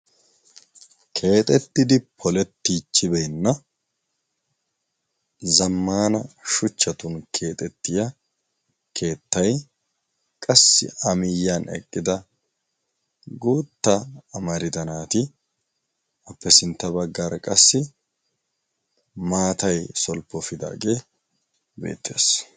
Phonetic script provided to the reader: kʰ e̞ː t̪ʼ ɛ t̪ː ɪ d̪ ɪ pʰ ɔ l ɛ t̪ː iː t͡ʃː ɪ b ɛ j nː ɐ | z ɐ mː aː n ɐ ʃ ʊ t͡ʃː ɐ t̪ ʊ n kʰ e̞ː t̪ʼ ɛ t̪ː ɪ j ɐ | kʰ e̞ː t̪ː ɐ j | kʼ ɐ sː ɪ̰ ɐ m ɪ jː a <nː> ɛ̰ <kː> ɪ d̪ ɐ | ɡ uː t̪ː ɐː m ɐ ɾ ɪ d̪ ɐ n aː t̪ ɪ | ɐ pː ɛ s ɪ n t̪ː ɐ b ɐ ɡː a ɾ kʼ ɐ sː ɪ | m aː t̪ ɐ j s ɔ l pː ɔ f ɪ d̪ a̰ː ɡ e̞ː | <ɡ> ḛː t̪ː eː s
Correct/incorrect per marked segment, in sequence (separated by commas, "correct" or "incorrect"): incorrect, incorrect, incorrect